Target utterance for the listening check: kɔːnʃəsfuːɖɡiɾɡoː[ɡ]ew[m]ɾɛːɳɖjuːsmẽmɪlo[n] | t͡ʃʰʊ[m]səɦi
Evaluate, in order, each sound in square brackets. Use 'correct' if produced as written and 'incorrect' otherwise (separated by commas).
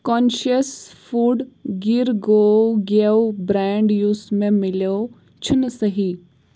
correct, incorrect, incorrect, incorrect